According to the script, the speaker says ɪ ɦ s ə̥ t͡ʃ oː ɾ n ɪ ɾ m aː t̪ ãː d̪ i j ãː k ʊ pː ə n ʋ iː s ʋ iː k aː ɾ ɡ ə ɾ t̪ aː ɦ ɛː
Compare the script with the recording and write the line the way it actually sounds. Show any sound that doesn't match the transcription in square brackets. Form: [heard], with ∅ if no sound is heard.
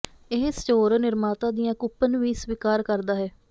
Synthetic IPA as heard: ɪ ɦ s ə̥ t͡ʃ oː ɾ n ɪ ɾ m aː t̪ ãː d̪ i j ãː k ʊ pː ə n ʋ iː s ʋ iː k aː ɾ [k] ə ɾ [d̪] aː ɦ ɛː